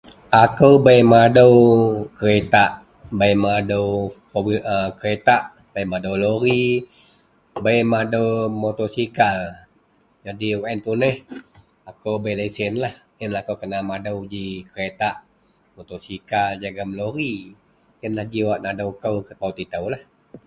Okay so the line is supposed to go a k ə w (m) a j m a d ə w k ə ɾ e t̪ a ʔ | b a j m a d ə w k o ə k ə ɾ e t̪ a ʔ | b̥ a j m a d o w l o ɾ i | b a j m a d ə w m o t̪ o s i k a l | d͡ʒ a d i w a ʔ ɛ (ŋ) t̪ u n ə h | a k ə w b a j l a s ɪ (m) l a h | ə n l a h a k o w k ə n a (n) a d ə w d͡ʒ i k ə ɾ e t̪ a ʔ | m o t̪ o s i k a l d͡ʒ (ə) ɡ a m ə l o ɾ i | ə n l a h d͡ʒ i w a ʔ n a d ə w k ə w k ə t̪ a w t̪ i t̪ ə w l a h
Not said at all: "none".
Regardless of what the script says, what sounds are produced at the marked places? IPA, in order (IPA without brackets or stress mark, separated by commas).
b, n, n, m, a